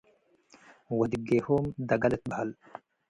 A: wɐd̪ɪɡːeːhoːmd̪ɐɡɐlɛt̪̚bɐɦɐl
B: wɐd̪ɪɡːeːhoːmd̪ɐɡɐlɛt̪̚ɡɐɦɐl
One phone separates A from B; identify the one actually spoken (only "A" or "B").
A